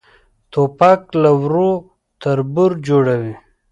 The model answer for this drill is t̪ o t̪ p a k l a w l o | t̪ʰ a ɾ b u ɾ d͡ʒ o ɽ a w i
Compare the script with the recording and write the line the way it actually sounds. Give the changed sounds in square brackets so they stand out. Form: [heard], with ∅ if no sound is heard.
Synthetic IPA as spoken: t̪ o [∅] p a k l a w [ɾ] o | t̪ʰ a ɾ b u ɾ d͡ʒ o ɽ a w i